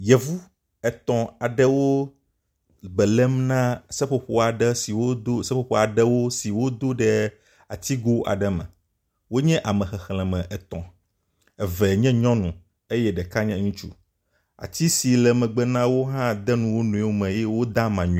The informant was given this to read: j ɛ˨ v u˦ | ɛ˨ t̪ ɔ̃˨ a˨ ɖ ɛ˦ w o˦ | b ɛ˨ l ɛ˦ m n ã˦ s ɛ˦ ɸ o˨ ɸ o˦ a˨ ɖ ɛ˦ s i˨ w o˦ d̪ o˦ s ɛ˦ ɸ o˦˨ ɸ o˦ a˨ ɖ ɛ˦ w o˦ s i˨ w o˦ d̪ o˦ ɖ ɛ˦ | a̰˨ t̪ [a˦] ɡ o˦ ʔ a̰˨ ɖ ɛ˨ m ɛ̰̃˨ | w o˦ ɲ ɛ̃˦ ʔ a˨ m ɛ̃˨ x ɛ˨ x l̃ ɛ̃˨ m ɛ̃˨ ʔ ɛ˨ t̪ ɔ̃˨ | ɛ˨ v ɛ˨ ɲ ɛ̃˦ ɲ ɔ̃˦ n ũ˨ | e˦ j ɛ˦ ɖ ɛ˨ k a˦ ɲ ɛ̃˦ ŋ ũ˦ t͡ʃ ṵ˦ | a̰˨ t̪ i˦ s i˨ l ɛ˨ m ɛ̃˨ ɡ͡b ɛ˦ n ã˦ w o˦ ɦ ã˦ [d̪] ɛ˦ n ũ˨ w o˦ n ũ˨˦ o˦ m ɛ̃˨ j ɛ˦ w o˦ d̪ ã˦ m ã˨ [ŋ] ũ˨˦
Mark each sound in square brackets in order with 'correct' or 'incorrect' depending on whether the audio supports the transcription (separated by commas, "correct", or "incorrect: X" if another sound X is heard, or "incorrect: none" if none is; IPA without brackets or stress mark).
incorrect: i˦, correct, incorrect: ɲ